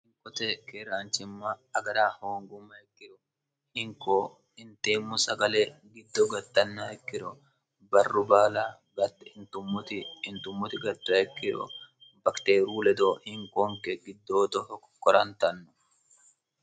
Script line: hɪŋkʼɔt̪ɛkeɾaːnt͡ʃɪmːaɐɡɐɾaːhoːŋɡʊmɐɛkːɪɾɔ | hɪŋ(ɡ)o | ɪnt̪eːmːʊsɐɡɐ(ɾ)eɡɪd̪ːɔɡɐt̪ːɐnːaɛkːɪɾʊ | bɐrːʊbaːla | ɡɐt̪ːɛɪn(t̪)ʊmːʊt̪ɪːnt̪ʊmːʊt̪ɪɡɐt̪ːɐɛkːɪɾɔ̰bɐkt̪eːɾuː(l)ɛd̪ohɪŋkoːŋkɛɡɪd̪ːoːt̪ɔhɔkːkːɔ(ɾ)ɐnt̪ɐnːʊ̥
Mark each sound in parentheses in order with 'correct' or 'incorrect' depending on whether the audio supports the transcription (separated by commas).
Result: incorrect, incorrect, correct, correct, correct